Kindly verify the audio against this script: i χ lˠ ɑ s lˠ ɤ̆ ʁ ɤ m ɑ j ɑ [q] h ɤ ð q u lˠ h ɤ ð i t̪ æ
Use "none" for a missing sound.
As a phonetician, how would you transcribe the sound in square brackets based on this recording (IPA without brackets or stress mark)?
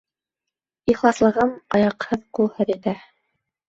q